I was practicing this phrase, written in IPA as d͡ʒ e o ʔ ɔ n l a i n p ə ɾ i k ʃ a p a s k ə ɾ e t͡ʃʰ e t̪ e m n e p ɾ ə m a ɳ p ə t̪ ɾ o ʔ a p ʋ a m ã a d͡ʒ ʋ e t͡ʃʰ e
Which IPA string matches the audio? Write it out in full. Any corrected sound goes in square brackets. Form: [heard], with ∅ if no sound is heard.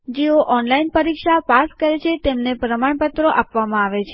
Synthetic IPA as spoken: d͡ʒ e o ʔ ɔ n l a i n p ə ɾ i k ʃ a p a s k ə ɾ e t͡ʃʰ e t̪ e m n e p ɾ ə m a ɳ p ə t̪ ɾ o ʔ a p ʋ a m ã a [∅] ʋ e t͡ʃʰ e